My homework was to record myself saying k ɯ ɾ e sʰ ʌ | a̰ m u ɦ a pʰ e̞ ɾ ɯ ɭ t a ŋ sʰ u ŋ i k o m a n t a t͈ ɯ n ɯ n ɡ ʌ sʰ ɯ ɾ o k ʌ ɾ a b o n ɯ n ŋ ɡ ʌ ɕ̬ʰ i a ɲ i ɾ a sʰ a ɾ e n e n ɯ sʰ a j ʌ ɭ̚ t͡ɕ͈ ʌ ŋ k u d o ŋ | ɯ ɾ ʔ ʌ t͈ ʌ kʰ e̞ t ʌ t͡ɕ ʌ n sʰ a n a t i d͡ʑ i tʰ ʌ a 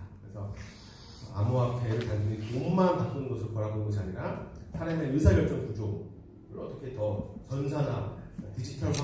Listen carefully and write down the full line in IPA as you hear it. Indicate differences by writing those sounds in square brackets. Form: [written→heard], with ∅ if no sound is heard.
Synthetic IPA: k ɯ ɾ e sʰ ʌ | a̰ m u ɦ a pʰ e̞ ɾ ɯ ɭ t a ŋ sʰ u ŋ i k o m a n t a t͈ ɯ n ɯ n ɡ ʌ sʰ ɯ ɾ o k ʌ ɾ a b o n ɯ n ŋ ɡ ʌ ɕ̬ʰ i a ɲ i ɾ a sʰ a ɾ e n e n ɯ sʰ a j ʌ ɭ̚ t͡ɕ͈ ʌ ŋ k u [d→d͡ʑ] o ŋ | ɯ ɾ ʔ ʌ t͈ ʌ kʰ e̞ t ʌ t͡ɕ ʌ n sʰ a n a t i d͡ʑ i tʰ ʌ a